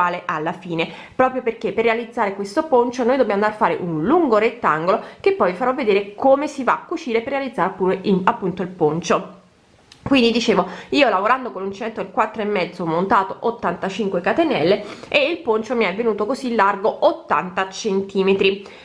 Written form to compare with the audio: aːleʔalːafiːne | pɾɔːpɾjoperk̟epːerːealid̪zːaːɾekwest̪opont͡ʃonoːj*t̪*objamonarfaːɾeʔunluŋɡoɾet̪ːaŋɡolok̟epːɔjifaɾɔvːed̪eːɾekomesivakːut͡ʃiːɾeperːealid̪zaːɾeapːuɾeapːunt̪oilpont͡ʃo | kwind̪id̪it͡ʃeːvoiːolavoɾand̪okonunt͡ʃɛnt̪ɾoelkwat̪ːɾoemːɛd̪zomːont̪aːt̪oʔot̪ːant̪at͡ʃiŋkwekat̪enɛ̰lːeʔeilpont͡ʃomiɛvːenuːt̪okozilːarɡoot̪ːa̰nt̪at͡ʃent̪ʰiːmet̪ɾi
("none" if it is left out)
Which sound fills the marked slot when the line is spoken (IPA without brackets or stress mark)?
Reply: d̪